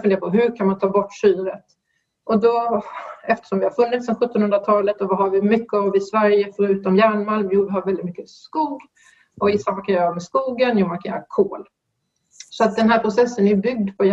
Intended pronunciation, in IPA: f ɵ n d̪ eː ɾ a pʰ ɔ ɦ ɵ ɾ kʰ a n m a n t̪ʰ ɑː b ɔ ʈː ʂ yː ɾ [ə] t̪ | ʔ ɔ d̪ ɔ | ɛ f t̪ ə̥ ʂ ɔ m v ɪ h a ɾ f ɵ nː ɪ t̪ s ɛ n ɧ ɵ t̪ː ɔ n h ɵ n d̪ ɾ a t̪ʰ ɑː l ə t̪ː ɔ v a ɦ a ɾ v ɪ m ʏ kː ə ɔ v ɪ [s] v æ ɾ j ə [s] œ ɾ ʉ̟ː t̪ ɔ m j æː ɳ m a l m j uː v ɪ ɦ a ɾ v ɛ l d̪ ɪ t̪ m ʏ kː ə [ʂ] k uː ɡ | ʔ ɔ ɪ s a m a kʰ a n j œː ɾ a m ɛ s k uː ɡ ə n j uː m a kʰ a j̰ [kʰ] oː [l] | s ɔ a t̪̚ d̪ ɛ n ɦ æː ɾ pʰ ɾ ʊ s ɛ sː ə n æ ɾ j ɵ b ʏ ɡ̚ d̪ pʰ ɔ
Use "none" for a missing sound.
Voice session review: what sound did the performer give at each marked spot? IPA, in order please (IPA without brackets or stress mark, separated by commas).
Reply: ə, s, f, s, kʰ, l